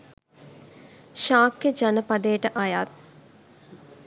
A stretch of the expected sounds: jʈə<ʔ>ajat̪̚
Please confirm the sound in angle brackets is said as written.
yes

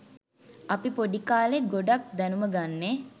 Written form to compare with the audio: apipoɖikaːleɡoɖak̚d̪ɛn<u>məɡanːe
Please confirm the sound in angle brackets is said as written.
yes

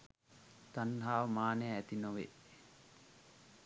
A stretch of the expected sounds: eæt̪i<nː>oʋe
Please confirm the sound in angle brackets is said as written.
no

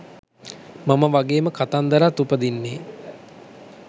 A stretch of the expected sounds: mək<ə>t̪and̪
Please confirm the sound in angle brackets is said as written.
no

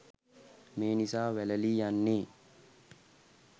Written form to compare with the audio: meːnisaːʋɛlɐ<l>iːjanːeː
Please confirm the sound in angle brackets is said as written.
yes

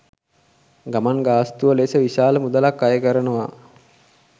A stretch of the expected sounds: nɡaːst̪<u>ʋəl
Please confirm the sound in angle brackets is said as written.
yes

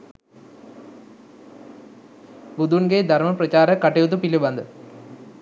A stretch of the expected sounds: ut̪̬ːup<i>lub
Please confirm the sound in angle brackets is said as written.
yes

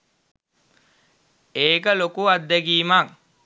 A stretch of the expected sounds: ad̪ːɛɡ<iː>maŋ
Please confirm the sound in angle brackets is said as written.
yes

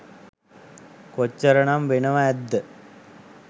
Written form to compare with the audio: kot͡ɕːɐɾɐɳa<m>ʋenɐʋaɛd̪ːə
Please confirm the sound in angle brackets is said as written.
yes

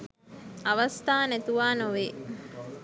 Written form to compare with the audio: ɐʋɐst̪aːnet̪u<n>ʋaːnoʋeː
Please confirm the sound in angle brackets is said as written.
no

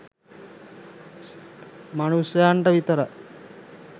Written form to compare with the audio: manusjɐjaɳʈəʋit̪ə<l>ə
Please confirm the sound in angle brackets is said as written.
no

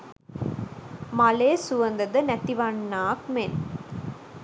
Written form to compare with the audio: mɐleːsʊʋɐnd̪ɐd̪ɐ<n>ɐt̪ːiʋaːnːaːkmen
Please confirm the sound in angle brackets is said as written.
yes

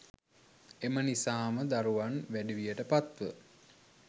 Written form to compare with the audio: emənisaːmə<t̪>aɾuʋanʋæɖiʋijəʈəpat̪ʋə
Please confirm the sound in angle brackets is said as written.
no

